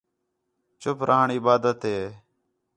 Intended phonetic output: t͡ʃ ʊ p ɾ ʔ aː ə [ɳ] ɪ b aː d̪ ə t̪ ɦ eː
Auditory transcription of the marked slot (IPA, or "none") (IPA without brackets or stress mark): ɳ